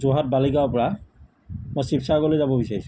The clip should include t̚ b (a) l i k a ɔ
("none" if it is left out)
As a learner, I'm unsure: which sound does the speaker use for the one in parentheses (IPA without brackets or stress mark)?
a